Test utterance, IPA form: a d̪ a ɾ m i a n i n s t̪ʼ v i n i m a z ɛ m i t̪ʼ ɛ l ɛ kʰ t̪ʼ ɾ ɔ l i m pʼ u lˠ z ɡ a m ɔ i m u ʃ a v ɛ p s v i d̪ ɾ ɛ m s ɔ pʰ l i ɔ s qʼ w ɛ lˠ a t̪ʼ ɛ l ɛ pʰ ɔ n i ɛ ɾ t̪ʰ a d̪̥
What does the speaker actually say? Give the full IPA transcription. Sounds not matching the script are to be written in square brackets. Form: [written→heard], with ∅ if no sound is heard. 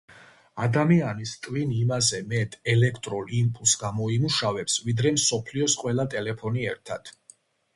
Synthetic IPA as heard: a d̪ a [ɾ→∅] m i a n i [n→∅] s t̪ʼ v i n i m a z ɛ m [i→ɛ] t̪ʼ ɛ l ɛ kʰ t̪ʼ ɾ ɔ l i m pʼ u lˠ [z→s] ɡ a m ɔ i m u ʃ a v ɛ p s v i d̪ ɾ ɛ m s ɔ pʰ l i ɔ s qʼ w ɛ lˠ a t̪ʼ ɛ l ɛ pʰ ɔ n i ɛ ɾ t̪ʰ a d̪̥